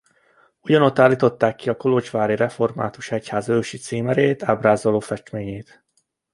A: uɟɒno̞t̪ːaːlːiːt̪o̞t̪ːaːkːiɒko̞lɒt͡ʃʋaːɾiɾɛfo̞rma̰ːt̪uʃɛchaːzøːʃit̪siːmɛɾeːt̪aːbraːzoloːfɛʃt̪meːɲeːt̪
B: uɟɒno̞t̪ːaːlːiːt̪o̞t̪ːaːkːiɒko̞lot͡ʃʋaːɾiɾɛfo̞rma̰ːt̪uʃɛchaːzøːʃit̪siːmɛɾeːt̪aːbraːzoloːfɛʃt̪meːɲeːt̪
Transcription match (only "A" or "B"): B